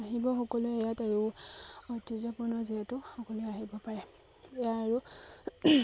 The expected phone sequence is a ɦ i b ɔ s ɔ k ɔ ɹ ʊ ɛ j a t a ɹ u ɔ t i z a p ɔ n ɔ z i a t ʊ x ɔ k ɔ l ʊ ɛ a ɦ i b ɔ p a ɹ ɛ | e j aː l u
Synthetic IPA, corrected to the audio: a ɦ i b ɔ x ɔ k ɔ l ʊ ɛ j a t a ɹ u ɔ t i z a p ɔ n ɔ z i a t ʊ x ɔ k ɔ l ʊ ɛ a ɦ i b ɔ p a ɹ ɛ | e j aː ɹ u